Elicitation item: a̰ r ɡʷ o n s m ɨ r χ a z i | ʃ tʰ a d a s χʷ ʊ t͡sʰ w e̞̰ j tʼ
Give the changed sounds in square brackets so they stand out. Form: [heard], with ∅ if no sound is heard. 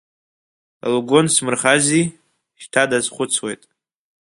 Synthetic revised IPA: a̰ [l] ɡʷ o n s m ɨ r χ a z i | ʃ tʰ a d a [z] χʷ ʊ t͡sʰ w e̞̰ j tʼ